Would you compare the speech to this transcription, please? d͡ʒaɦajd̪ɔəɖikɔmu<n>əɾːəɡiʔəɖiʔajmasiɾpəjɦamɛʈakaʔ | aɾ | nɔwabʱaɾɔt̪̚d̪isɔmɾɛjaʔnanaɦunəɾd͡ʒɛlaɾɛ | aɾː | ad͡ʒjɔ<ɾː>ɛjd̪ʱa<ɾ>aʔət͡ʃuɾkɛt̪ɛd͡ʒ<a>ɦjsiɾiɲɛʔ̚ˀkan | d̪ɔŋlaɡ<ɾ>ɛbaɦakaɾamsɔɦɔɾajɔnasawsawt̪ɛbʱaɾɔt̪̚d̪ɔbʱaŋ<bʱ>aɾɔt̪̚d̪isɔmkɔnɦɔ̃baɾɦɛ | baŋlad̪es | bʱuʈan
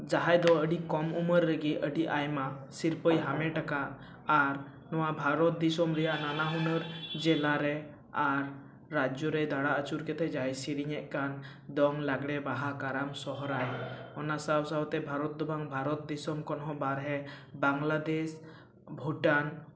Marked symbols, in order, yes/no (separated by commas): no, no, no, yes, no, yes